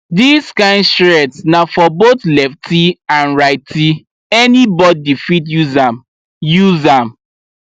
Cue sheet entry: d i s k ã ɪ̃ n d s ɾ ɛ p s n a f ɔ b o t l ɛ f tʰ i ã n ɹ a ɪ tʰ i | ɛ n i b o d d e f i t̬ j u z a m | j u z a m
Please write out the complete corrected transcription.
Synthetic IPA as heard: d i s k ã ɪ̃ n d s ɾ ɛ t s n a f ɔ b o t l ɛ f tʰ i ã n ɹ a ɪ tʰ i | ɛ n i b ɔ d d i f i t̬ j u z a m | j u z a m